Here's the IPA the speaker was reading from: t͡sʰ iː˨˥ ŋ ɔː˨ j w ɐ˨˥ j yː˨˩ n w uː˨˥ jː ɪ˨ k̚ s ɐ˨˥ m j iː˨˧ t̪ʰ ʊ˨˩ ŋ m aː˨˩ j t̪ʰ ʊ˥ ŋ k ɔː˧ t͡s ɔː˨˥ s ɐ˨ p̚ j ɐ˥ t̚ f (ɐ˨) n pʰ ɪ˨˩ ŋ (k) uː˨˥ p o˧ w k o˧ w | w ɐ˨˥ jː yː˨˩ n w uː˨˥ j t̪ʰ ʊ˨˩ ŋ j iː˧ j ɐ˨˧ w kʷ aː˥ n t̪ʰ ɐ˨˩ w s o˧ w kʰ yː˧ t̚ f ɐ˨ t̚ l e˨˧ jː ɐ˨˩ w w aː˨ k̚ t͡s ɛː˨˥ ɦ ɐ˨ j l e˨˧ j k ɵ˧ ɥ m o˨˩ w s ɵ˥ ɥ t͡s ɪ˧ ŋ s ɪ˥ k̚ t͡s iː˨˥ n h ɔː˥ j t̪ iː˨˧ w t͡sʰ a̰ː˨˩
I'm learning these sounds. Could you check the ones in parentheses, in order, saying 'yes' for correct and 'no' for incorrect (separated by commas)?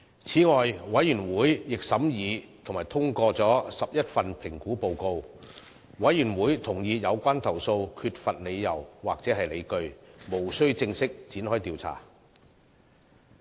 yes, yes